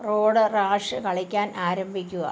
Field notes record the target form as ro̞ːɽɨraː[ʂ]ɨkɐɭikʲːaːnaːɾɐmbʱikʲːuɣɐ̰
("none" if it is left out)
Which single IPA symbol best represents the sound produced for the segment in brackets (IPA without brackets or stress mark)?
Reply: ʂ